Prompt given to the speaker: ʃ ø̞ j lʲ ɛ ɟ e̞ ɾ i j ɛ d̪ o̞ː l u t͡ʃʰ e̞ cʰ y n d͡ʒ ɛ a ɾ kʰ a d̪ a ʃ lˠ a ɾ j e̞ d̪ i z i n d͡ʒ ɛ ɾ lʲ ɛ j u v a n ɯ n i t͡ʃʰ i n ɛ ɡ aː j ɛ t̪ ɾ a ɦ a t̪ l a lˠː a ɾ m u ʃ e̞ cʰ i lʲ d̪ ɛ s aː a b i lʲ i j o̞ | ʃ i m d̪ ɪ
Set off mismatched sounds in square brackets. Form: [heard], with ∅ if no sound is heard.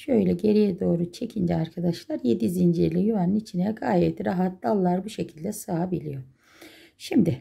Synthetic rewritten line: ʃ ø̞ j lʲ ɛ ɟ e̞ ɾ i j ɛ d̪ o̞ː [ɾ] u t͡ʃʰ e̞ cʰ [i] n d͡ʒ ɛ a ɾ kʰ a d̪ a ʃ lˠ a ɾ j e̞ d̪ i z i n d͡ʒ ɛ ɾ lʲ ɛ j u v a n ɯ n i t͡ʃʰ i n ɛ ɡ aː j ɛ t̪ ɾ a ɦ a t̪ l a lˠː a ɾ [b] u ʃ e̞ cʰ i lʲ d̪ ɛ s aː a b i lʲ i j o̞ | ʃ i m d̪ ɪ

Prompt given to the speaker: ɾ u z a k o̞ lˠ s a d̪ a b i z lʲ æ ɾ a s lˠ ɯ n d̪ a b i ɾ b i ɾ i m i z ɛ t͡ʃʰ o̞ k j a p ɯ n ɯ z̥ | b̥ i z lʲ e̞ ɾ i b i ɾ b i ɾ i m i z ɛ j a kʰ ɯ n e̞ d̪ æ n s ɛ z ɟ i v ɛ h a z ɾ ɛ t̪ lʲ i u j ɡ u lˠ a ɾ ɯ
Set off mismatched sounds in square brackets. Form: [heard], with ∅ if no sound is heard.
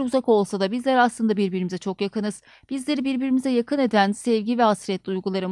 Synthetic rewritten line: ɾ u z a k o̞ lˠ s a d̪ a b i z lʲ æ ɾ a s lˠ ɯ n d̪ a b i ɾ b i ɾ i m i z ɛ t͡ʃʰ o̞ k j a [k] ɯ n ɯ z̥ | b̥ i z lʲ e̞ ɾ i b i ɾ b i ɾ i m i z ɛ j a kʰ ɯ n e̞ d̪ æ n s ɛ [v] ɟ i v ɛ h a [s] ɾ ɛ t̪ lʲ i u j ɡ u lˠ a ɾ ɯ

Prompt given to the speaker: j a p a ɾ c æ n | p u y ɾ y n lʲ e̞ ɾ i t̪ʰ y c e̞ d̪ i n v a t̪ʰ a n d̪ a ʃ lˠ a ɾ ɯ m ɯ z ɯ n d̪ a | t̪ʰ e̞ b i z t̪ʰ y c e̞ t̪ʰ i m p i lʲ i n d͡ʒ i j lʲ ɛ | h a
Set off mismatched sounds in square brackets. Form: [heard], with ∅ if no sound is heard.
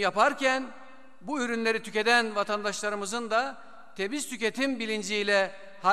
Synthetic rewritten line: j a p a ɾ c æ n | [b] u y ɾ y n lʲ e̞ ɾ i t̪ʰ y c e̞ d̪ [æ] n v a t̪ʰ a n d̪ a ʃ lˠ a ɾ ɯ m ɯ z ɯ n d̪ a | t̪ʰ e̞ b i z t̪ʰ y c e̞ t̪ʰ i m [b] i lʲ i n d͡ʒ i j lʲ ɛ | h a

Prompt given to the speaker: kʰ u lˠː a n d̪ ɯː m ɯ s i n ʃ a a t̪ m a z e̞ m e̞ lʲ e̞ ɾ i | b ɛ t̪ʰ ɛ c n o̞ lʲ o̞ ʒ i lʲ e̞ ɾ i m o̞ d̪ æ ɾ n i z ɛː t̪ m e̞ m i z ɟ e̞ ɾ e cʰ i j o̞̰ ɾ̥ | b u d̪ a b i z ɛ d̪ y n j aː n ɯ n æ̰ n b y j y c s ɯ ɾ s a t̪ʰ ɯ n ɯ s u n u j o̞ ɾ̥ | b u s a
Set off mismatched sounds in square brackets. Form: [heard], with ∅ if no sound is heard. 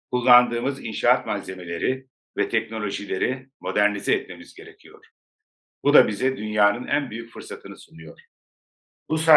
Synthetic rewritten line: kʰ u lˠː a n d̪ ɯː m ɯ [z] i n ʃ a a t̪ m a z e̞ m e̞ lʲ e̞ ɾ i | [v] ɛ t̪ʰ ɛ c n o̞ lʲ o̞ ʒ i lʲ e̞ ɾ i m o̞ d̪ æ ɾ n i z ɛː t̪ m e̞ m i z ɟ e̞ ɾ e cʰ i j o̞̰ ɾ̥ | b u d̪ a b i z ɛ d̪ y n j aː n ɯ n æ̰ n b y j y c [f] ɯ ɾ s a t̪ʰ ɯ n ɯ s u n u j o̞ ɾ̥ | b u s a

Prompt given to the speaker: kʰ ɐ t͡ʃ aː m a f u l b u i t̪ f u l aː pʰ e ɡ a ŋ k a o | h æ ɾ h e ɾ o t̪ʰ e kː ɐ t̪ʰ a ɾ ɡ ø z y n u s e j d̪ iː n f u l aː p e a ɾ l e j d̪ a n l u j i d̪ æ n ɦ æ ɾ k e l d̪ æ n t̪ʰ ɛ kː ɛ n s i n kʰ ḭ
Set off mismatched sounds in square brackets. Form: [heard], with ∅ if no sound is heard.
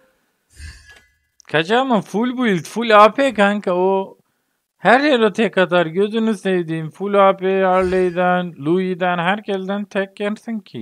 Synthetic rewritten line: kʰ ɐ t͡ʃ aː m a f u l b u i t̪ f u l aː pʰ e [k] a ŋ k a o | h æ ɾ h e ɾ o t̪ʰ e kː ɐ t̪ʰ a ɾ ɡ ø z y n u s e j d̪ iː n f u l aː p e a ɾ l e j d̪ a n l u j i d̪ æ n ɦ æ ɾ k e l d̪ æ n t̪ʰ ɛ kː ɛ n s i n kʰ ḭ

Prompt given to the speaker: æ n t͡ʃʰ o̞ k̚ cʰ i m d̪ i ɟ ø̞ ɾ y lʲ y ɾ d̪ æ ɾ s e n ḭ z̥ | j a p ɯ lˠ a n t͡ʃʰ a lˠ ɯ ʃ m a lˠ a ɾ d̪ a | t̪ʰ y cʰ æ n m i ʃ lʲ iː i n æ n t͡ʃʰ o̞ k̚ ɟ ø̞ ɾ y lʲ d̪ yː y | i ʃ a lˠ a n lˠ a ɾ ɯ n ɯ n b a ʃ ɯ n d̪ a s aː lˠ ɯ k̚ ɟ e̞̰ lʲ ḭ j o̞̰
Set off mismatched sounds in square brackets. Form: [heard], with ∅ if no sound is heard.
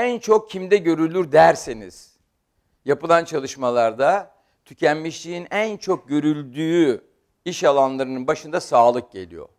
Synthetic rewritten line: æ n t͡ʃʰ o̞ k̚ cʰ i m d̪ [ɛ] ɟ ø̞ ɾ y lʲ y ɾ d̪ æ ɾ s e n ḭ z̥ | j a p ɯ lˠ a n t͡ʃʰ a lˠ ɯ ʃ m a lˠ a ɾ d̪ a | t̪ʰ y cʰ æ n m i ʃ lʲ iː i n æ n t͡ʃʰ o̞ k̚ ɟ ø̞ ɾ y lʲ d̪ yː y | i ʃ a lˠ a n lˠ a ɾ ɯ n ɯ n b a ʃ ɯ n d̪ a s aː lˠ ɯ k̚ ɟ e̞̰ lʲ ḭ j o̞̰

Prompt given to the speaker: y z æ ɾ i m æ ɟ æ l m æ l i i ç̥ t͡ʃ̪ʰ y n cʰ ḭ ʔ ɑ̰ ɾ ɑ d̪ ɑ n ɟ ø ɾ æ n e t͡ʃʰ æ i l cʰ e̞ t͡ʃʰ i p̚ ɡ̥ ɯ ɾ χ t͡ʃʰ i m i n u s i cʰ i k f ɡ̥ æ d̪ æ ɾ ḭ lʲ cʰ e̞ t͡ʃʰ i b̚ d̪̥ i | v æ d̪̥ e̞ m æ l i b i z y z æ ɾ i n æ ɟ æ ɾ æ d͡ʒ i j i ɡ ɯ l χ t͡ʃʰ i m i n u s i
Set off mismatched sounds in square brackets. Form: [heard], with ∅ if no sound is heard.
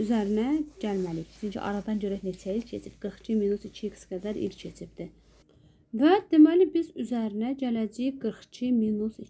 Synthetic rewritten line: y z æ ɾ i [n] æ ɟ æ l m æ l i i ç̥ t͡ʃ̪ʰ y n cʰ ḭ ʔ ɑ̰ ɾ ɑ d̪ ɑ n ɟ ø ɾ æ n e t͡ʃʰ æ i l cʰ e̞ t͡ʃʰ i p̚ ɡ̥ ɯ ɾ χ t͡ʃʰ i m i n u s i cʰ i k [s] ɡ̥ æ d̪ æ ɾ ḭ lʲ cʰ e̞ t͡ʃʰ i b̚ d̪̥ i | v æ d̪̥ e̞ m æ l i b i z y z æ ɾ i n æ ɟ æ [l] æ d͡ʒ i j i ɡ ɯ [ɾ] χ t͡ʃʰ i m i n u s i

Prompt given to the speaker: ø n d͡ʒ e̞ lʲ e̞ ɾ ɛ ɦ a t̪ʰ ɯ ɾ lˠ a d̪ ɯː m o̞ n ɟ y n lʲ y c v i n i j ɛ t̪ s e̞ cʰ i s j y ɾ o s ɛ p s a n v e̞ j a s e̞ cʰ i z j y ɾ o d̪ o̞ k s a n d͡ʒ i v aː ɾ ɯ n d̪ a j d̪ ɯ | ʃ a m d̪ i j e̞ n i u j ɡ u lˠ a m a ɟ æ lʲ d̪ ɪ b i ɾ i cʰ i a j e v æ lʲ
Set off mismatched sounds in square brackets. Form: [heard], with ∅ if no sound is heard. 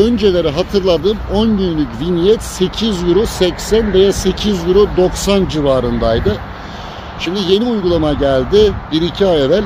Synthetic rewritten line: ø n d͡ʒ e̞ lʲ e̞ ɾ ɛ ɦ a t̪ʰ ɯ ɾ lˠ a d̪ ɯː m o̞ n ɟ y n lʲ y c v i n i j ɛ t̪ s e̞ cʰ i [z] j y ɾ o s ɛ [c] s [æ] n v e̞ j a s e̞ cʰ i z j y ɾ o d̪ o̞ k s a n d͡ʒ i v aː ɾ ɯ n d̪ a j d̪ ɯ | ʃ [i] m d̪ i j e̞ n i u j ɡ u lˠ a m a ɟ æ lʲ d̪ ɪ b i ɾ i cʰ i a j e v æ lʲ

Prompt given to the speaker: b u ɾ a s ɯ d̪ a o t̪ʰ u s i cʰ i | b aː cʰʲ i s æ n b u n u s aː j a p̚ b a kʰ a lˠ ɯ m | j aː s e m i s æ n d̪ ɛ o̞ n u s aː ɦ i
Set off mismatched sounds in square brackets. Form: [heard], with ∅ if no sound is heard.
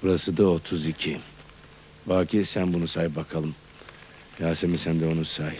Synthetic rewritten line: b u ɾ a s ɯ d̪ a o t̪ʰ u [z] i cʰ i | b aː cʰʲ i s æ n b u n u s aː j [i] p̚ b a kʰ a lˠ ɯ m | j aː s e m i s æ n d̪ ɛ o̞ n u s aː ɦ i

